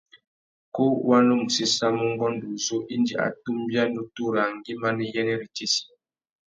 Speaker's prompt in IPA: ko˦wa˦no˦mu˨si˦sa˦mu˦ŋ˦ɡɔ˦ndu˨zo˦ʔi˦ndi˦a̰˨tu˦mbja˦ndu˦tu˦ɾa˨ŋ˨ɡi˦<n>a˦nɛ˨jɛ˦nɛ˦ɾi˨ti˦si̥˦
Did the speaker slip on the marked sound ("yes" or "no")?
yes